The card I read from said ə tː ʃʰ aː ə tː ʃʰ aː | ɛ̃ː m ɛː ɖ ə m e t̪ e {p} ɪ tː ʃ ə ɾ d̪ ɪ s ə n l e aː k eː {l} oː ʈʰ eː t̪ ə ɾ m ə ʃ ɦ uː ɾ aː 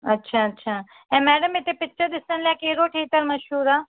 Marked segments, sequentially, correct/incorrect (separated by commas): correct, incorrect